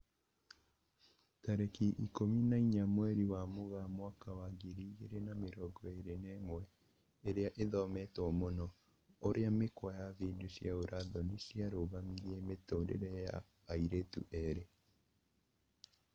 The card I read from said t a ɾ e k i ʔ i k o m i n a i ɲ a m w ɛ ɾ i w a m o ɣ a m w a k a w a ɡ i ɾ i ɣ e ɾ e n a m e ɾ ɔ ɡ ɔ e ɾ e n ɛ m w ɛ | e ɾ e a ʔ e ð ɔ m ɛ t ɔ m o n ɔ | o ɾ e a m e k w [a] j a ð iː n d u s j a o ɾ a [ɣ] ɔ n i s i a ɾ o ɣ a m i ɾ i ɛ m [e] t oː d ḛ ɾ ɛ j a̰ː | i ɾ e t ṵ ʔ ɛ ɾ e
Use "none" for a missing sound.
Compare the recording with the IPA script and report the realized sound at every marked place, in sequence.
a, ð, e

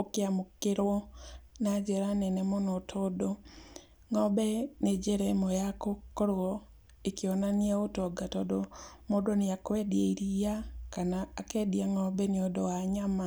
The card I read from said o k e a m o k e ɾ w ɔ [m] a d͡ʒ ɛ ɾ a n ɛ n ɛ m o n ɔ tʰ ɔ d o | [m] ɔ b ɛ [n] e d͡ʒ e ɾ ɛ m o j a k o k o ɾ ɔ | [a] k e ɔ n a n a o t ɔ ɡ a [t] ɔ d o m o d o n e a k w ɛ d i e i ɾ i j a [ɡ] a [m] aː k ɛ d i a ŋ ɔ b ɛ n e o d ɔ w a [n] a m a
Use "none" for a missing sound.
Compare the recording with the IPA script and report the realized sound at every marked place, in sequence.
n, ŋ, n, e, t, k, n, ɲ

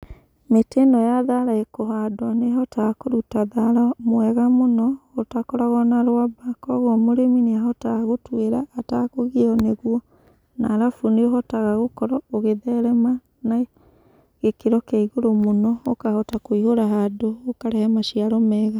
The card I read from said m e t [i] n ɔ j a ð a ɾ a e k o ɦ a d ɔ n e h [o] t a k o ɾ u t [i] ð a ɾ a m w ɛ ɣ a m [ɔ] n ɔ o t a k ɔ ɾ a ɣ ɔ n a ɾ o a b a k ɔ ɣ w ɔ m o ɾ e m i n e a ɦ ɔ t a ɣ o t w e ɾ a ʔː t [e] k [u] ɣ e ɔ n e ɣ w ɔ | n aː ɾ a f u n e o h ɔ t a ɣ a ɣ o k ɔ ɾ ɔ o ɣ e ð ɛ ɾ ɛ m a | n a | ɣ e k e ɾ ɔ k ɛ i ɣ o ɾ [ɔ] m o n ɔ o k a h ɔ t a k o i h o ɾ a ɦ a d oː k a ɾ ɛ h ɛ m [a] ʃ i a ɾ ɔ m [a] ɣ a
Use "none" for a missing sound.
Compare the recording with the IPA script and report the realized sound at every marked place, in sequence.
e, ɔ, a, o, a, o, o, a, ɛ

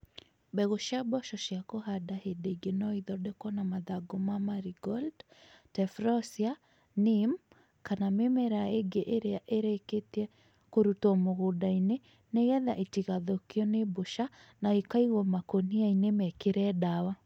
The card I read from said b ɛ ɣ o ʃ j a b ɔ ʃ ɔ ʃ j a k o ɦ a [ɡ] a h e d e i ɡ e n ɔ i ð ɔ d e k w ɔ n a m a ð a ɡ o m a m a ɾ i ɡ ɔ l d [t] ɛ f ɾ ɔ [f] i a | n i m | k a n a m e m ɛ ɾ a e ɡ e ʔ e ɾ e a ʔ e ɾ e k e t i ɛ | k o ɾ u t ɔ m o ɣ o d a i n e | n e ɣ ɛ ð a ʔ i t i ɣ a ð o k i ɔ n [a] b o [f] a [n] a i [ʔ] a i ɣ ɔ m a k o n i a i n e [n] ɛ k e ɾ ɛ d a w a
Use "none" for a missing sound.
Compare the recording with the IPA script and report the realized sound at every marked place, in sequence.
d, t, s, e, ʃ, n, k, m

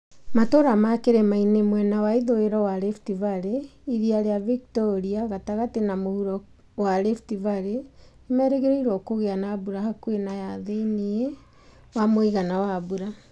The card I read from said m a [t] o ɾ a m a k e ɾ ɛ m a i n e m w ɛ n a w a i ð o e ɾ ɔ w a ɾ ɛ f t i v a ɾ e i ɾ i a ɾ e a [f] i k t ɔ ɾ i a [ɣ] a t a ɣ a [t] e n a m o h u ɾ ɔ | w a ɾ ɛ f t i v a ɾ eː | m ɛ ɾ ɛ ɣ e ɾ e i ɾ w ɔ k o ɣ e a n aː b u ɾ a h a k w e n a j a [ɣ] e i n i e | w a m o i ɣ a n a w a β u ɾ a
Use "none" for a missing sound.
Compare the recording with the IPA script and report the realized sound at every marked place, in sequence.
t, v, ɣ, t, ð

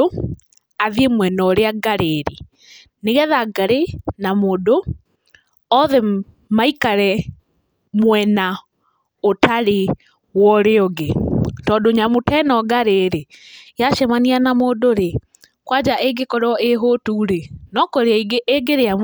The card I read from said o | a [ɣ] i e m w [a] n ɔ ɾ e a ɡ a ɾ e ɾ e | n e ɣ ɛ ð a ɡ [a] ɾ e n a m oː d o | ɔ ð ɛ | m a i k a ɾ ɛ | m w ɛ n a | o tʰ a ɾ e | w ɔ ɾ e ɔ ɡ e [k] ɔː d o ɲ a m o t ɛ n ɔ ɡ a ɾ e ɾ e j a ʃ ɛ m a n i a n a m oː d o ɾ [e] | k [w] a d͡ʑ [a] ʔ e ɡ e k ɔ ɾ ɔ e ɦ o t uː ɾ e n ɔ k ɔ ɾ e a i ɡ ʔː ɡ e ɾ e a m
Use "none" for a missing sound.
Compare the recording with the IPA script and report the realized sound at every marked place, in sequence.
ð, ɛ, a, t, e, w, a

